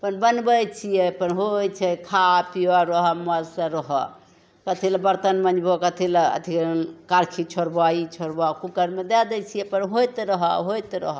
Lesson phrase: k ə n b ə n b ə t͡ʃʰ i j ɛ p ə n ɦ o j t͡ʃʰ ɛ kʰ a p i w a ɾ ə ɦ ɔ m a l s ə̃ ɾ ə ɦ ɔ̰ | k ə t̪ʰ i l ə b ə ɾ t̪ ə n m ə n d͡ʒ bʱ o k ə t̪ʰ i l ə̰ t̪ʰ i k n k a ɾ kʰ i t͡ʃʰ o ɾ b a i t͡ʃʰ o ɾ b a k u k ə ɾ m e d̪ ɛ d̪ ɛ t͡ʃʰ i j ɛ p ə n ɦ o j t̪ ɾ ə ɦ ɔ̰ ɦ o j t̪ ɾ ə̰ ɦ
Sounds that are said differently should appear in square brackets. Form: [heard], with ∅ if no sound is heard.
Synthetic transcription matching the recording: [p] ə n b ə n b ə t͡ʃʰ i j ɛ p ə n ɦ o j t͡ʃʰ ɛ kʰ a p i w a ɾ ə ɦ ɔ m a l s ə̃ ɾ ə ɦ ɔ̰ | k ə t̪ʰ i l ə b ə ɾ t̪ ə n m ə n d͡ʒ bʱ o k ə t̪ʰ i l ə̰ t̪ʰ i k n k a ɾ kʰ i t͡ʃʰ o ɾ b a i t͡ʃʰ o ɾ b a k u k ə ɾ m e d̪ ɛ d̪ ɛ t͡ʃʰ i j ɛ p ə n ɦ o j t̪ ɾ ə ɦ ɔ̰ ɦ o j t̪ ɾ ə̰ ɦ

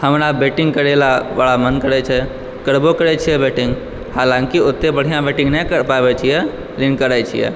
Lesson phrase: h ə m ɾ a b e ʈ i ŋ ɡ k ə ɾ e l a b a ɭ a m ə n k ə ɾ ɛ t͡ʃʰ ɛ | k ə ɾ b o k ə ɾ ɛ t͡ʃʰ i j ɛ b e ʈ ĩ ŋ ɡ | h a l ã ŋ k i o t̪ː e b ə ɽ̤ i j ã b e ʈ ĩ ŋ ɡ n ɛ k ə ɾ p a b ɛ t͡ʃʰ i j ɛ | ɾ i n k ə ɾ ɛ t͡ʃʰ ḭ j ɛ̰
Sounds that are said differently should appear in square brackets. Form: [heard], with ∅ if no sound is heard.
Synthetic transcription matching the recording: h ə m ɾ a b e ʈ i ŋ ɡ k ə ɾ e l a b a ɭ a m ə n k ə ɾ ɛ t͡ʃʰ ɛ | k ə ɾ b o k ə ɾ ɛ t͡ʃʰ i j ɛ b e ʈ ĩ ŋ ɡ | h a l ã ŋ k i o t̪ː e b ə ɽ̤ i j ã b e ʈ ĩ ŋ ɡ n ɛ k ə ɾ p a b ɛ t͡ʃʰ i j ɛ | [l] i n k ə ɾ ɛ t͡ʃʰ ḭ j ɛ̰

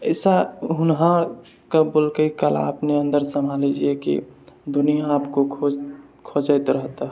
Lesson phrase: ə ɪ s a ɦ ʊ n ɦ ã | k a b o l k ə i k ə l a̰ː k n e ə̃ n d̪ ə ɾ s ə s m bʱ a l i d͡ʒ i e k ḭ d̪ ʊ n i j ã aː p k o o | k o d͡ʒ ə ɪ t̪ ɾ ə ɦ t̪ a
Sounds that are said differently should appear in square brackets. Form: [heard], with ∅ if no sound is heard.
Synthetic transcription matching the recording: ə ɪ s a ɦ ʊ n ɦ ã | k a b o l k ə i k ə l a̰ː [p] n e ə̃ n d̪ ə ɾ s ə [∅] m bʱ a l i d͡ʒ i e k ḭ d̪ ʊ n i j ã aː p k o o | [kʰ] o d͡ʒ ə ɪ t̪ ɾ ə ɦ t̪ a

